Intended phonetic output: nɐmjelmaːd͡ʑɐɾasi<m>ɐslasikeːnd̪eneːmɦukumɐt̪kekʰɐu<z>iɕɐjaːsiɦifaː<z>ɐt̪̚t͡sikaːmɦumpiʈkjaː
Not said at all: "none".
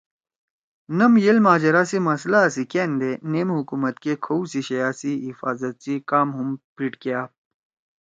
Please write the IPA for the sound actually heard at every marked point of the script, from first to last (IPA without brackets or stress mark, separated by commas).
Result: m, s, z